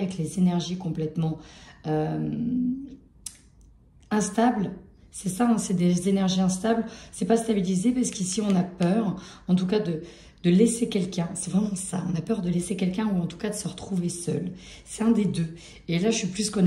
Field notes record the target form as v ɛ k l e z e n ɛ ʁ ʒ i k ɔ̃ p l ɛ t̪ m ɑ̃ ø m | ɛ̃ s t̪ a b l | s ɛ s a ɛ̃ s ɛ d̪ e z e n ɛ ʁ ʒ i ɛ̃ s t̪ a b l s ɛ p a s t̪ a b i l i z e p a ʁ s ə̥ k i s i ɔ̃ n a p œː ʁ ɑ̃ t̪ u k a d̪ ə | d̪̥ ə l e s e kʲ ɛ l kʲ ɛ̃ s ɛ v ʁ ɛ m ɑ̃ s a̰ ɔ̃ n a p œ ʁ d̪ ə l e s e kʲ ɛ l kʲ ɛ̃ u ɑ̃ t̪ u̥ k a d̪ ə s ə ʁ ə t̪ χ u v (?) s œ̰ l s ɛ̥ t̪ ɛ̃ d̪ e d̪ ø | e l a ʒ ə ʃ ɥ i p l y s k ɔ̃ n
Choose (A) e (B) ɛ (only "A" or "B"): A